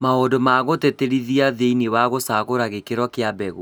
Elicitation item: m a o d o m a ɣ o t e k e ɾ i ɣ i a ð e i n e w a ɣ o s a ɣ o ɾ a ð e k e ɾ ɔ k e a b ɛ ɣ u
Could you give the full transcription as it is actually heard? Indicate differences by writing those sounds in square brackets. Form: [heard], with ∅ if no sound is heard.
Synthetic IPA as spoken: m a o d o m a ɣ o t e [t] e ɾ i [ð] i a ð e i n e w a ɣ o s a ɣ o ɾ a [ɣ] e k e ɾ ɔ k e a b ɛ ɣ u